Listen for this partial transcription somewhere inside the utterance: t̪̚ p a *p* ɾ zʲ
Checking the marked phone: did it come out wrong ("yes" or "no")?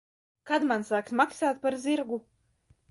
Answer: yes